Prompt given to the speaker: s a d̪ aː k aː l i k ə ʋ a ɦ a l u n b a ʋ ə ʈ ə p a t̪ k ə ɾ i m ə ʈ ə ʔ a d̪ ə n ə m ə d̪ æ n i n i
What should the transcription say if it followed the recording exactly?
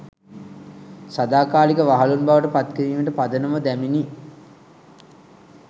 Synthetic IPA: s a d̪ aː k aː l i k ə ʋ a ɦ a l u n b a ʋ ə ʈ ə p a t̪ k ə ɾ iː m ə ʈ ə p a d̪ ə n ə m ə d̪ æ m i n i